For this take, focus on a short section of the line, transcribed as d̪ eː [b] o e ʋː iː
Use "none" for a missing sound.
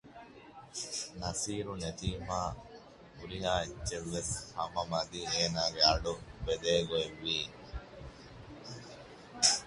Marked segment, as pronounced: ɡ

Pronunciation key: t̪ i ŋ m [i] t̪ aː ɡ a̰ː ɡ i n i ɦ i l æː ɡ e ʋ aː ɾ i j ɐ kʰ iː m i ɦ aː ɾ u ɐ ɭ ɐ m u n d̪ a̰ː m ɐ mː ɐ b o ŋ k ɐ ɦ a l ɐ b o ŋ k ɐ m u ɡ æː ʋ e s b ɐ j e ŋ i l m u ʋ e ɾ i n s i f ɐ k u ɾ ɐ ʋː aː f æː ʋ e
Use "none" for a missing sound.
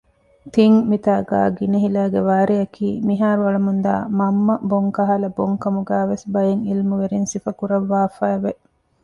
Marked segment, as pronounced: i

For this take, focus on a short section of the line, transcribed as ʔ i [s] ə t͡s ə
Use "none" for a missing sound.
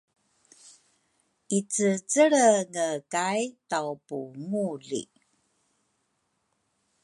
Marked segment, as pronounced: t͡s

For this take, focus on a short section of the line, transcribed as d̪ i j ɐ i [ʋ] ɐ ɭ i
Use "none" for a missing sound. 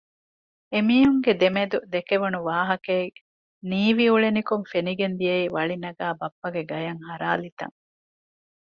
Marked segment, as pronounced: ʋ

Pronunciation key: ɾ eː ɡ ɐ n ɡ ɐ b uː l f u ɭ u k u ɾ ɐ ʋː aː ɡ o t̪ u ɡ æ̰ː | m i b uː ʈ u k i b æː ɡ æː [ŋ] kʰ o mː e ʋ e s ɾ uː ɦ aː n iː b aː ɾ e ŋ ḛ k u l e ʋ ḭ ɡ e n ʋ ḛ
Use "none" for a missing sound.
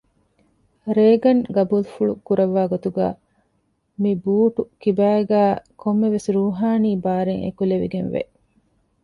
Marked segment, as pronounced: none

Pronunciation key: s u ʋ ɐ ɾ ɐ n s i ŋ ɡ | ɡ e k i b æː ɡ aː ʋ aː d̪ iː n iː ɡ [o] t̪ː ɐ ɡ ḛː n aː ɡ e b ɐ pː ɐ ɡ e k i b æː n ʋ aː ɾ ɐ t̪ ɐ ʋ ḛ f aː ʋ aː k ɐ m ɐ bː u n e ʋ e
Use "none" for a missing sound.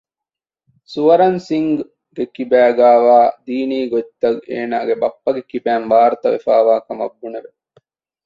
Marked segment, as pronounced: o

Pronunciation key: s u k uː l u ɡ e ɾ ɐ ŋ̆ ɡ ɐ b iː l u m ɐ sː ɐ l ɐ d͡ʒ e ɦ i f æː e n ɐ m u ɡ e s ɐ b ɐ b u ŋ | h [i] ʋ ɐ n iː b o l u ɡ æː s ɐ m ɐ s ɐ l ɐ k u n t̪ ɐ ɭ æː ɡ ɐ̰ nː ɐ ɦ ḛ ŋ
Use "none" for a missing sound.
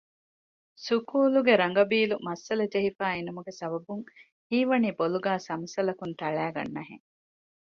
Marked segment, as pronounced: iː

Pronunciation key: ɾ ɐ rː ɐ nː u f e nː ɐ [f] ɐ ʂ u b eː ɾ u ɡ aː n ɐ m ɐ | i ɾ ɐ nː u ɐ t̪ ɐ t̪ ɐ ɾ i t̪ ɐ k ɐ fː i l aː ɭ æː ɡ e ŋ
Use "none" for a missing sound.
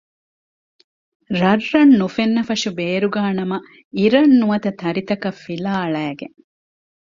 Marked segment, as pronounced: f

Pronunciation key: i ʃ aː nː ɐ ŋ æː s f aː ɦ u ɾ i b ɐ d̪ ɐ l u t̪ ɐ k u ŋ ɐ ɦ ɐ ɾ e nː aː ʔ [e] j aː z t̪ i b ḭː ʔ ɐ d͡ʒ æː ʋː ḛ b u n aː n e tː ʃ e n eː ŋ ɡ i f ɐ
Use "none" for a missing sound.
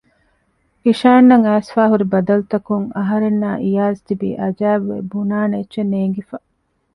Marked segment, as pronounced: i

